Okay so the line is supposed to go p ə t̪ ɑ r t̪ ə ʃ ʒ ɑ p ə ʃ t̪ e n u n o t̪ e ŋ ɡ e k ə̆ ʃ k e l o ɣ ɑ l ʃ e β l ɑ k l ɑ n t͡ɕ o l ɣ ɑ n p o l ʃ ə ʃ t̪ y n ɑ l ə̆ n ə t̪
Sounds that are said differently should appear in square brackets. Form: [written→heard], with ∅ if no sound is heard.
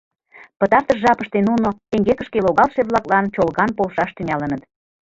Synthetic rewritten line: p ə t̪ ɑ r t̪ ə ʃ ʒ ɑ p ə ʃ t̪ e n u n o t̪ e ŋ ɡ e k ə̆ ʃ k e l o ɣ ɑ l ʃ e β l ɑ k l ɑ n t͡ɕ o l ɣ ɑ n p o l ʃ [ə→ɑ] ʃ t̪ y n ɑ l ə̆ n ə t̪